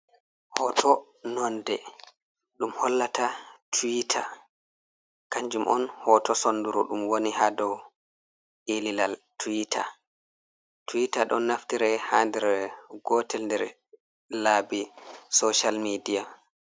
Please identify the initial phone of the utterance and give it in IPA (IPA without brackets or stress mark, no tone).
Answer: h